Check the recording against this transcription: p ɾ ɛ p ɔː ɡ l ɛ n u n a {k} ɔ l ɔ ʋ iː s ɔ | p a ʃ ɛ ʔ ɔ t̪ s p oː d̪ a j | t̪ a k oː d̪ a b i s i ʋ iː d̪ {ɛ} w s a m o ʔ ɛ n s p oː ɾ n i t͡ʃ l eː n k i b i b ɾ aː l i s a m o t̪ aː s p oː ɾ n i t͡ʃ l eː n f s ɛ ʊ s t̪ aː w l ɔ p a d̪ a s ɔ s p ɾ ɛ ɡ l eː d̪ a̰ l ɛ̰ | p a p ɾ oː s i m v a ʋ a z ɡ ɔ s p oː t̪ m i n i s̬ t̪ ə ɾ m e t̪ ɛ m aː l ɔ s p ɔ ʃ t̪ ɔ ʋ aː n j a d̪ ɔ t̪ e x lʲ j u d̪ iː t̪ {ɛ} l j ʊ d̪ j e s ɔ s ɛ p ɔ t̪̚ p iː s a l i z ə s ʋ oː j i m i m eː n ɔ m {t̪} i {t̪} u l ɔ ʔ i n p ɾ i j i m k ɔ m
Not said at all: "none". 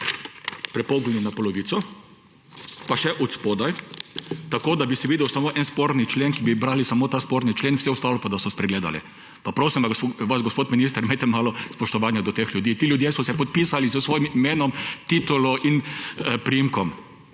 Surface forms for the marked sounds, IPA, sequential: p, ɛ, i, t̪, t̪

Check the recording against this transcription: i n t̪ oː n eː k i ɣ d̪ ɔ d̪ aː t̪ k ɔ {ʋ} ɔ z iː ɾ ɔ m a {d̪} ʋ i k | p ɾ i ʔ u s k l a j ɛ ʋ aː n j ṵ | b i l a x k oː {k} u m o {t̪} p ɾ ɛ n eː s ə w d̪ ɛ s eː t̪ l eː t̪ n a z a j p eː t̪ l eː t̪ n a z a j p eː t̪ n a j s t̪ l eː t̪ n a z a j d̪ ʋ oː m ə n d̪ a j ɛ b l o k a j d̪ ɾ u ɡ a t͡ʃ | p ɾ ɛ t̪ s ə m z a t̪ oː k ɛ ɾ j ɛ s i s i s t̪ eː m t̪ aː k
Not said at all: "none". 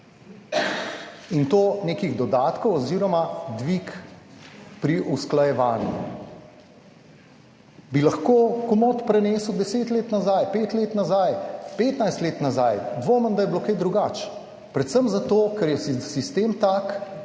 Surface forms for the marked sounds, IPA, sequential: w, d̪, k, t̪

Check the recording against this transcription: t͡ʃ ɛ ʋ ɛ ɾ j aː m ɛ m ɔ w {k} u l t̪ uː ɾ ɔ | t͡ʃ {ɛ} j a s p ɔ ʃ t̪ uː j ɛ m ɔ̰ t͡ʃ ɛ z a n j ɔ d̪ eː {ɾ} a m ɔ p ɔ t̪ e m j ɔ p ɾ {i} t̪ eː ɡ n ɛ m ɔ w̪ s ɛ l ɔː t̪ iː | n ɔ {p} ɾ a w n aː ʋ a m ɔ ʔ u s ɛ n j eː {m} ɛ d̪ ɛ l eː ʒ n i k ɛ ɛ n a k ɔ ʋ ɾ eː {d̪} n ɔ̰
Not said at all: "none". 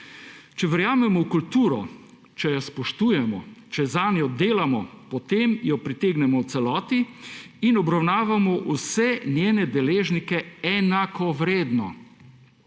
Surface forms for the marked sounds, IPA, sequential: k, ɛ, l, i, b, n, d̪

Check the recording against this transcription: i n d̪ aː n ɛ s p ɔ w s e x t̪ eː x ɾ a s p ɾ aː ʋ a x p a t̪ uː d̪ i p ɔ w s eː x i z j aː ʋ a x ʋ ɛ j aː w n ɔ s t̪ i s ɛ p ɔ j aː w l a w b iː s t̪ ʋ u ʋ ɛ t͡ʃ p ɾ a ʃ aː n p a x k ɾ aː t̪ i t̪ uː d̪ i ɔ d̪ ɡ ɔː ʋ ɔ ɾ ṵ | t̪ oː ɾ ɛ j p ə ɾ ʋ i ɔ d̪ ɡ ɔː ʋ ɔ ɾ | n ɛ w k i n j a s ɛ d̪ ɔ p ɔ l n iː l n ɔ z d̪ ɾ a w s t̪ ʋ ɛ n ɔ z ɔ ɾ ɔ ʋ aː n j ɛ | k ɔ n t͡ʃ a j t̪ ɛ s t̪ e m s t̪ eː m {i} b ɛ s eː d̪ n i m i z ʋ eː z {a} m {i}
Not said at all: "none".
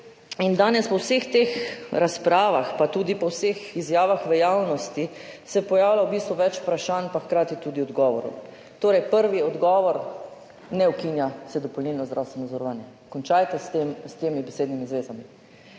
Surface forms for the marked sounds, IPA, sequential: i, a, i

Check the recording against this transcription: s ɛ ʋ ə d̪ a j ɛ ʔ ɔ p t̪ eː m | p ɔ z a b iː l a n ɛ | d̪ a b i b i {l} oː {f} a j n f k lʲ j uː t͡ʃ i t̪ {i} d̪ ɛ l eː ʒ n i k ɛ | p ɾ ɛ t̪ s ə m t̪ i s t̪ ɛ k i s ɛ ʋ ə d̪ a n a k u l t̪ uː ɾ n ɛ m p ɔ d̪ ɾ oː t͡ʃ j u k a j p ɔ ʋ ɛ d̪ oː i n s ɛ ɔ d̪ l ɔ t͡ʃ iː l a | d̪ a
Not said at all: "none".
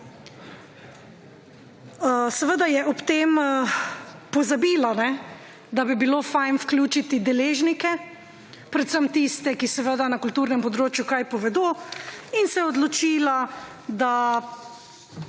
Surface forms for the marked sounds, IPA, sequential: l, f, i

